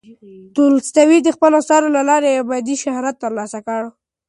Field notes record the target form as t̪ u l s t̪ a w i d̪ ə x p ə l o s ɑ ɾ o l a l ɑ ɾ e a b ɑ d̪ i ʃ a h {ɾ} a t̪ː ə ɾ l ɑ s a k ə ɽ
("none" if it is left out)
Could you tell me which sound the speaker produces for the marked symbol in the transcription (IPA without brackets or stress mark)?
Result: ɾ